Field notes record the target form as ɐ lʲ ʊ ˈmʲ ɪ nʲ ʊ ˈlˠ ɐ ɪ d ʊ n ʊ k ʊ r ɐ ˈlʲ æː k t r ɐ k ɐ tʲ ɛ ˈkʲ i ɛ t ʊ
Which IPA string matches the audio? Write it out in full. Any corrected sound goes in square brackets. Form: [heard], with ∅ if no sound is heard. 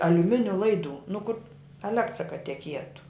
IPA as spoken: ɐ lʲ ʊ ˈmʲ ɪ nʲ ʊ ˈlˠ ɐ ɪ d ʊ n ʊ k ʊ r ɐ ˈlʲ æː k t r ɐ k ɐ tʲ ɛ ˈkʲ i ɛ t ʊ